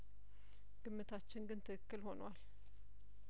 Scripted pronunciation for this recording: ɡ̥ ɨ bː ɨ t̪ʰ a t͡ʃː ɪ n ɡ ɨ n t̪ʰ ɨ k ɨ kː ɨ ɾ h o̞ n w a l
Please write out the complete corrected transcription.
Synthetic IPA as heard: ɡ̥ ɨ mː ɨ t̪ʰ a t͡ʃː ɪ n ɡ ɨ n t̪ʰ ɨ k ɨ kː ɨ l h o̞ n w a l